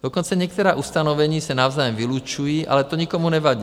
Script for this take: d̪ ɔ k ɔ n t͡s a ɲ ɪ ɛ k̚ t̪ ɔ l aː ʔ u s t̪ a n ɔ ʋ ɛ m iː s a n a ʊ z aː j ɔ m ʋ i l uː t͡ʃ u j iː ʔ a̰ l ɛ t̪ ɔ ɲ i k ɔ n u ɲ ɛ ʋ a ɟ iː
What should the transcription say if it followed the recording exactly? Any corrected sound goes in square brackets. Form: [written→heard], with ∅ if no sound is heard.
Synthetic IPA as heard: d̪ ɔ k ɔ n t͡s a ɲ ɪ ɛ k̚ t̪ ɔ [l→ɾ] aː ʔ u s t̪ a n ɔ ʋ ɛ [m→ɲ] iː s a n a ʊ z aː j ɔ m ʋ i l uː t͡ʃ u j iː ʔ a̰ l ɛ t̪ ɔ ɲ i k ɔ [n→m] u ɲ ɛ ʋ a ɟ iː